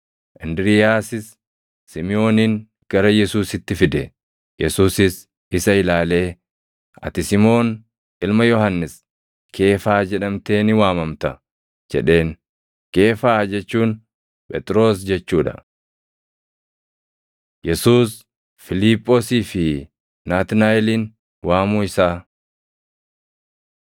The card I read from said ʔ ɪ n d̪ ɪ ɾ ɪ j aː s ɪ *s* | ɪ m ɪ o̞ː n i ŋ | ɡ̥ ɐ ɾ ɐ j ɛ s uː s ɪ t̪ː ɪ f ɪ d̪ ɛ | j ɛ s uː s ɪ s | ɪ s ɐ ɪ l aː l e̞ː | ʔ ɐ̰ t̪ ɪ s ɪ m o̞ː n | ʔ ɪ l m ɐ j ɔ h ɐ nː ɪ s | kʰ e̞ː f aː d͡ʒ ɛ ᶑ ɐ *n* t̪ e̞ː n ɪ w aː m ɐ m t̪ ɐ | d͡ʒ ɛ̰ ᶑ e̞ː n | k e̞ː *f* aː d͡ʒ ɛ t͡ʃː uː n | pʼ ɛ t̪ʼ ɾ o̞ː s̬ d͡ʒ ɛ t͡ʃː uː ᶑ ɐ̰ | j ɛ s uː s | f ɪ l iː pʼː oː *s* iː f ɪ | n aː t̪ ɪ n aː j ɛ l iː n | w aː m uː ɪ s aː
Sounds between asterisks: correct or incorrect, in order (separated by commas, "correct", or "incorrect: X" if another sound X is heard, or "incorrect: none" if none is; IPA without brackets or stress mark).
incorrect: sː, incorrect: m, correct, correct